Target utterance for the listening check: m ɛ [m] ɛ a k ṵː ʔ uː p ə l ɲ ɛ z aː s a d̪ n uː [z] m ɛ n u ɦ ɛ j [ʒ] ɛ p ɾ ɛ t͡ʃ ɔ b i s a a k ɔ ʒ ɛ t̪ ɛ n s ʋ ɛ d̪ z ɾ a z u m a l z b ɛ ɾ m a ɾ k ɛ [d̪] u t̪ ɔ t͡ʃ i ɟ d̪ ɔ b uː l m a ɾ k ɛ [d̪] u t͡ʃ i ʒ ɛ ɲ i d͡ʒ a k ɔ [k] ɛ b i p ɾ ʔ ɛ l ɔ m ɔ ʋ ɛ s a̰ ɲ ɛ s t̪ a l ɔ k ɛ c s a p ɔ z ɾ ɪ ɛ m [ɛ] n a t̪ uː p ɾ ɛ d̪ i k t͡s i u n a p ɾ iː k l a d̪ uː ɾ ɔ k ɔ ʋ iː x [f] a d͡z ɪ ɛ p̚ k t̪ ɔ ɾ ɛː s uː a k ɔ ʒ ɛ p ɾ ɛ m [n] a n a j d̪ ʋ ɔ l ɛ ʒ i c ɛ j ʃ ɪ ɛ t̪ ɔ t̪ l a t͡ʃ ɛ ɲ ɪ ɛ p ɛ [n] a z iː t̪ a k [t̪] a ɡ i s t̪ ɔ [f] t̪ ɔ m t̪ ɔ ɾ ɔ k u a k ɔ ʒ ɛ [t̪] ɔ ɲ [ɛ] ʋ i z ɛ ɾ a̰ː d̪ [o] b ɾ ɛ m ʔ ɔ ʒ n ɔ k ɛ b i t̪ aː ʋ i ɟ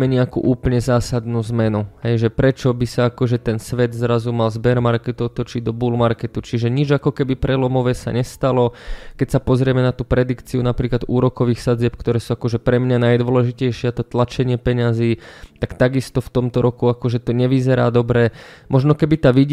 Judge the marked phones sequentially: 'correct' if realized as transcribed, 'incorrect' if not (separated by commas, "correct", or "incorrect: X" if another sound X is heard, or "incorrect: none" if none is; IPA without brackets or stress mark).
incorrect: ɲ, correct, correct, incorrect: t̪, incorrect: t̪, correct, correct, incorrect: s, incorrect: ɲ, incorrect: ɲ, correct, correct, correct, correct, incorrect: ɔ